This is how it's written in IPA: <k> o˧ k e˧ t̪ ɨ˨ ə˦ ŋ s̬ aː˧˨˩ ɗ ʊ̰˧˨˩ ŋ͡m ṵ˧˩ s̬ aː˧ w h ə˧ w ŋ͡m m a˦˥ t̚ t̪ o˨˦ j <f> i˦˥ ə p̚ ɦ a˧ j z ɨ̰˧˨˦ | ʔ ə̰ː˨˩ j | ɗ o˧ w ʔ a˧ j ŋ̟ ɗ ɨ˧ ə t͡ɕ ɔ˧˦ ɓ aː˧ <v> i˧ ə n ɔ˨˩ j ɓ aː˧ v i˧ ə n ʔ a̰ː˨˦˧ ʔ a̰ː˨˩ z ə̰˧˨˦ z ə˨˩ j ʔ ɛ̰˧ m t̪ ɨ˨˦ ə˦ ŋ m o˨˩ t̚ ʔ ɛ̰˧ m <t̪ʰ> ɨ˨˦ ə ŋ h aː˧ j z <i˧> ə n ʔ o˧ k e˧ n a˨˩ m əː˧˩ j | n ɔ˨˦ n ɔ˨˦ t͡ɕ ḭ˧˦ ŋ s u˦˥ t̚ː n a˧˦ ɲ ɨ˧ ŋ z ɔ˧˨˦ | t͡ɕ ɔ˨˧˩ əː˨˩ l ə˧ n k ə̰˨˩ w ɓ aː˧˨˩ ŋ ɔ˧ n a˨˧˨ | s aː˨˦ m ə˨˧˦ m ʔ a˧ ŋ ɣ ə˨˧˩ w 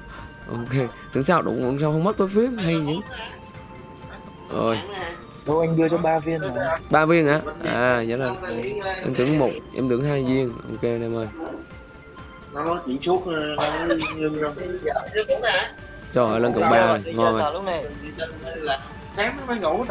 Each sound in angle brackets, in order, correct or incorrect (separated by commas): incorrect, correct, correct, incorrect, correct